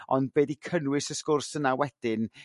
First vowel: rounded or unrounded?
rounded